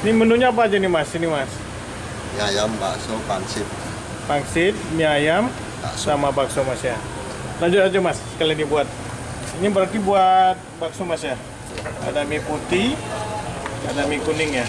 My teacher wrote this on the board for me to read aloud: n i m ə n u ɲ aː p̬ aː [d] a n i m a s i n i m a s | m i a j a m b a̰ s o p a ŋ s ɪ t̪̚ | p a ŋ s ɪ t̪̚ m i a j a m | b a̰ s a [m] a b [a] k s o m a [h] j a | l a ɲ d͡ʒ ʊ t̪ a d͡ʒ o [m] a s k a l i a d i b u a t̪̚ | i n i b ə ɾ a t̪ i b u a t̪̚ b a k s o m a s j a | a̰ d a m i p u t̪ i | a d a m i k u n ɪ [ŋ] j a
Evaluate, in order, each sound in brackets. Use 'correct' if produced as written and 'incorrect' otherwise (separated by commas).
incorrect, correct, correct, incorrect, correct, correct